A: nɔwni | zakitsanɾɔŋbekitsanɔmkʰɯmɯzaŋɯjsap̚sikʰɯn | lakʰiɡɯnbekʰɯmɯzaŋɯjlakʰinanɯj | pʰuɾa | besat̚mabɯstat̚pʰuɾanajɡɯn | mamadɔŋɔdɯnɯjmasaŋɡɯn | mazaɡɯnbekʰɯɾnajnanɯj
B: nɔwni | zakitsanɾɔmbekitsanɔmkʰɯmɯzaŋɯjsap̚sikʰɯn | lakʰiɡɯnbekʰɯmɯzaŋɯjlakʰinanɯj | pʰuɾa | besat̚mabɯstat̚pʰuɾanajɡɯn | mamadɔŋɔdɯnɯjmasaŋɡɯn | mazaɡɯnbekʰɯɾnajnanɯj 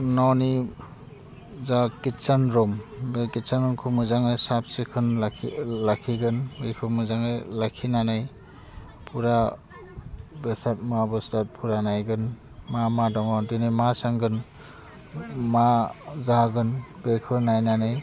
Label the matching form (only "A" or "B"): B